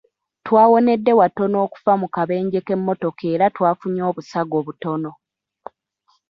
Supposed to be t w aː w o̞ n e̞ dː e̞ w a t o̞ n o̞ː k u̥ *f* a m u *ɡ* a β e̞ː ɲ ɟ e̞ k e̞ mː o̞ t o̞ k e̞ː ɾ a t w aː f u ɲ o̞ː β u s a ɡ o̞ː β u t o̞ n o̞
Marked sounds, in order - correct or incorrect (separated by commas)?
correct, incorrect